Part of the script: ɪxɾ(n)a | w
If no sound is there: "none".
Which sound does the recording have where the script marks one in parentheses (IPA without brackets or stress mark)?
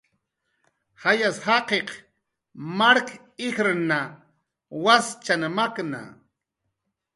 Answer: n